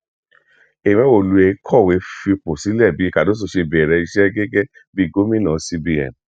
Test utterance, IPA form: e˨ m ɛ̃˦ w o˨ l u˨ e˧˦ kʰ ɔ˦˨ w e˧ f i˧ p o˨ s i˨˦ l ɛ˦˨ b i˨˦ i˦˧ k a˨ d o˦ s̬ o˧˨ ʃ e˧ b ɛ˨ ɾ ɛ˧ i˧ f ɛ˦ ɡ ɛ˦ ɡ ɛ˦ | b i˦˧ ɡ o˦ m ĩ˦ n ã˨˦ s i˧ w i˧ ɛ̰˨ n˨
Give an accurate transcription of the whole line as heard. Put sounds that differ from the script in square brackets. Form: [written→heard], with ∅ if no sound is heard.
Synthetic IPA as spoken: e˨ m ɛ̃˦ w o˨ l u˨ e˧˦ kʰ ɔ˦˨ w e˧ f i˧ p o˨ s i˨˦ l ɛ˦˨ b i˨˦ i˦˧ k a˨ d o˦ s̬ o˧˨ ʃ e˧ b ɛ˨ ɾ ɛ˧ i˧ [f→ʃ] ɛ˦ ɡ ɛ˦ ɡ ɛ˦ | b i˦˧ ɡ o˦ m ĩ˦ n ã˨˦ s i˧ [w→b] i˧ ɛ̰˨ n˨

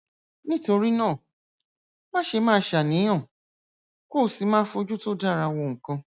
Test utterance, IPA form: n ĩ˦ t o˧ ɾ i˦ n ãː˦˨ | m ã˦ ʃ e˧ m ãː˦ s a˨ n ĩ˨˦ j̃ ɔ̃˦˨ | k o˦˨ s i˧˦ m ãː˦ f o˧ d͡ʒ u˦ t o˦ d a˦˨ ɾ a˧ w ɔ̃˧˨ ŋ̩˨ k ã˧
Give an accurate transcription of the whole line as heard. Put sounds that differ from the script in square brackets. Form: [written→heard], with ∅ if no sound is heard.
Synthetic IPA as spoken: n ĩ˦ t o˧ ɾ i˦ n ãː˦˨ | m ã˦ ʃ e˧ m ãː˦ [s→ʃ] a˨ n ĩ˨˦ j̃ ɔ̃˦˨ | k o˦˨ s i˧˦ m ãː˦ f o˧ d͡ʒ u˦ t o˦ d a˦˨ ɾ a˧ w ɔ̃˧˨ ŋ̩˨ k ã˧

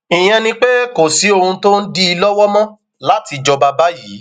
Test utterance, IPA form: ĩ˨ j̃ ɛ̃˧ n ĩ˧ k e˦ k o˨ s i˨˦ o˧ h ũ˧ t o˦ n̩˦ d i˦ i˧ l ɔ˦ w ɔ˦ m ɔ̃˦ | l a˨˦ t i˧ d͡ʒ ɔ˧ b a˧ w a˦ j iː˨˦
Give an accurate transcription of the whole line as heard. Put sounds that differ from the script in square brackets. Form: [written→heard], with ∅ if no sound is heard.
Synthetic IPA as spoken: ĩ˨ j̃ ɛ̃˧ n ĩ˧ [k→k͡p] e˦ k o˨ s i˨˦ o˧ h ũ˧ t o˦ n̩˦ d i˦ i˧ l ɔ˦ w ɔ˦ m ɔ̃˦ | l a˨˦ t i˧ d͡ʒ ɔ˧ b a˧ [w→b] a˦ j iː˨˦

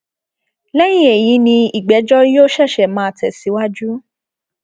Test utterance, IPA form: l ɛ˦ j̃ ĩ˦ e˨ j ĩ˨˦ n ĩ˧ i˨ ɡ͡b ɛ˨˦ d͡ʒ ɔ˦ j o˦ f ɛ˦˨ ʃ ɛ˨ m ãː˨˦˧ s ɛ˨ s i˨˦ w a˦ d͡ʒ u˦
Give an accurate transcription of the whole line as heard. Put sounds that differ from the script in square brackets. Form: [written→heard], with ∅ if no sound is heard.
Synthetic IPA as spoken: l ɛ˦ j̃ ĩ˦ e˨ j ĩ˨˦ n ĩ˧ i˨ ɡ͡b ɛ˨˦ d͡ʒ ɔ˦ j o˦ [f→ʃ] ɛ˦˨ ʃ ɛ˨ m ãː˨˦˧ [s→t] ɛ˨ s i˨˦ w a˦ d͡ʒ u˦

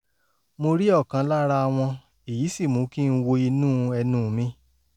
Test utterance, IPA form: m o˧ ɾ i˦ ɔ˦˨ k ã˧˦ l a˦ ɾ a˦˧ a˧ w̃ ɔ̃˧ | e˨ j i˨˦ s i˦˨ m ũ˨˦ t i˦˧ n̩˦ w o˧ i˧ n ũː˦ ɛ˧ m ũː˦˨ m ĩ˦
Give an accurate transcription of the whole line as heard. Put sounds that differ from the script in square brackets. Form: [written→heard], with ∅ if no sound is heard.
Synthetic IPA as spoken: m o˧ ɾ i˦ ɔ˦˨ k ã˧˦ l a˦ ɾ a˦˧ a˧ w̃ ɔ̃˧ | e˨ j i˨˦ s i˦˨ m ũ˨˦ [t→k] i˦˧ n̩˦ w o˧ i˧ n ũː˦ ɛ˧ [m→n] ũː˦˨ m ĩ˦

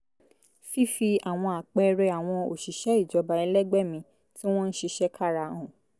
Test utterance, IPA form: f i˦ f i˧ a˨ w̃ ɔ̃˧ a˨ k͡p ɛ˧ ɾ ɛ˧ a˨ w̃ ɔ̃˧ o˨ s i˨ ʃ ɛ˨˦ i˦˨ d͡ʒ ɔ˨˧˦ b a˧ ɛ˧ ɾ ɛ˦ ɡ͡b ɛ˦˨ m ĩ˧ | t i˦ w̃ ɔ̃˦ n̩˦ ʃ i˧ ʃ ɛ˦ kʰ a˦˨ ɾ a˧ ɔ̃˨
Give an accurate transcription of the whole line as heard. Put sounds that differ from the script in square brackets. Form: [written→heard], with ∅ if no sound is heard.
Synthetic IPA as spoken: f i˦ f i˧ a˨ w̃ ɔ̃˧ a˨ k͡p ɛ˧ ɾ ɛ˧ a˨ w̃ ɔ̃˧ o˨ [s→ʃ] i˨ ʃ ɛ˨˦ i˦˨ d͡ʒ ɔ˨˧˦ b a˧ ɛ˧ [ɾ→l] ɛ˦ ɡ͡b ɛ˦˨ m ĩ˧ | t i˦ w̃ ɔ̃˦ n̩˦ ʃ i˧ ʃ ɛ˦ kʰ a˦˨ ɾ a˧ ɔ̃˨

